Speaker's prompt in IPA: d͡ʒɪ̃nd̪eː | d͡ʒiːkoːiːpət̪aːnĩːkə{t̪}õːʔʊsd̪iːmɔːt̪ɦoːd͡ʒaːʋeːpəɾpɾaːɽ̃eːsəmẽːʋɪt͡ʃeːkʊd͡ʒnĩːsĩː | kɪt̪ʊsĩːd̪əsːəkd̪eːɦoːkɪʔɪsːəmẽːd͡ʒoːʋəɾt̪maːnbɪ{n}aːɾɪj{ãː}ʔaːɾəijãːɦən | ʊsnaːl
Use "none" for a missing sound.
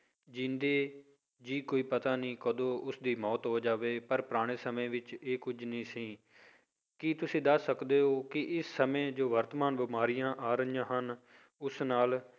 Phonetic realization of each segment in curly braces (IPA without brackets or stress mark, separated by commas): d̪, m, ãː